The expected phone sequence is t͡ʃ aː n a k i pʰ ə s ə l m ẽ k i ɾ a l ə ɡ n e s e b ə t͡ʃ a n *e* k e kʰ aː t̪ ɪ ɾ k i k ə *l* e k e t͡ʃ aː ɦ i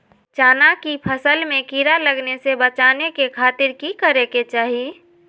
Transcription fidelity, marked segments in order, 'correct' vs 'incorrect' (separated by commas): correct, incorrect